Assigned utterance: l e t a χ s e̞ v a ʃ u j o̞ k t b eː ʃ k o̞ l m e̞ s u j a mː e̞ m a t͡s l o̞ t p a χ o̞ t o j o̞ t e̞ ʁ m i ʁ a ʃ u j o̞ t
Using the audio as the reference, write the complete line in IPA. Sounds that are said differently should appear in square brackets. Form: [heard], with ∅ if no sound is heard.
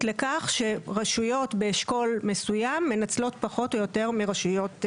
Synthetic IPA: l e [k] a χ [ʃ] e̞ [ʁ] a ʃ u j o̞ [∅] t b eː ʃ k o̞ l m e̞ s u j a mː e̞ [n] a t͡s l o̞ t p a χ o̞ t o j o̞ t e̞ ʁ m i ʁ a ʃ u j o̞ t